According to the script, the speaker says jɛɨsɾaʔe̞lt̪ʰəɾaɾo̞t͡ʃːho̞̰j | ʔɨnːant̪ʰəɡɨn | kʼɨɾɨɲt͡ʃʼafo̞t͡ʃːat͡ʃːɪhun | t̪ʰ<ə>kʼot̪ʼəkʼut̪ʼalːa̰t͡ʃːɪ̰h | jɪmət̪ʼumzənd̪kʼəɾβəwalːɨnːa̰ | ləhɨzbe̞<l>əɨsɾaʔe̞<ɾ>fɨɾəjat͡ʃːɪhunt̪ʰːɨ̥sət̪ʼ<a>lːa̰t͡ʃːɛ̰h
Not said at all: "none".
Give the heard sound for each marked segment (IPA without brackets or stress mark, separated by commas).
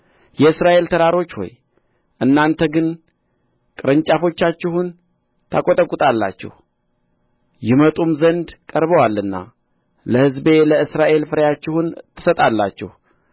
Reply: a, l, l, a